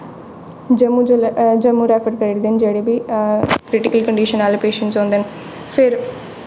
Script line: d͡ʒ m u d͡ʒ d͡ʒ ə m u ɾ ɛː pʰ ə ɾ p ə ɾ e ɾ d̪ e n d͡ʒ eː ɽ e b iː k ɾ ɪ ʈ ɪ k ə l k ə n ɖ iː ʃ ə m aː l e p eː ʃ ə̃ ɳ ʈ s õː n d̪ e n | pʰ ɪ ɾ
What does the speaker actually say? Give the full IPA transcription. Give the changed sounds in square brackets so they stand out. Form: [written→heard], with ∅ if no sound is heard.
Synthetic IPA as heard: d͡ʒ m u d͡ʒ d͡ʒ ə m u ɾ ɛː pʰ ə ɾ [p→k] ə ɾ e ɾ d̪ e n d͡ʒ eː ɽ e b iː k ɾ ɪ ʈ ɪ k ə l k ə [n→ɳ] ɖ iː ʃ ə [m→n] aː l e p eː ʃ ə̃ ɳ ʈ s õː n d̪ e n | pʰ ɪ ɾ